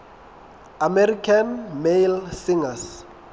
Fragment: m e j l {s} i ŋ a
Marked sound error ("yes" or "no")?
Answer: no